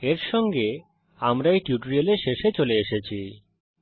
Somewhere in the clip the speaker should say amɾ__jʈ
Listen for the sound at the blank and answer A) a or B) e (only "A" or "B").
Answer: A